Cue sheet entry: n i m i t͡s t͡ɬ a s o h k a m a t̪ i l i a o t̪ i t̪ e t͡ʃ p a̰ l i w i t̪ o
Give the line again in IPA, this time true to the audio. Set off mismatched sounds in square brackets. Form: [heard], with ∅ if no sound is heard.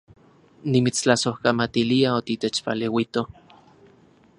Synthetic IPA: n i m i t͡s t͡ɬ a s o h k a m a t̪ i l i a o t̪ i t̪ e t͡ʃ p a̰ l [e] w i t̪ o